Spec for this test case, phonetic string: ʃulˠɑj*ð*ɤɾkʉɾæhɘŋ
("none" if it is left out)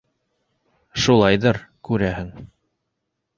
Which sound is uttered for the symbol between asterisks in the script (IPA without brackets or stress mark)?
ð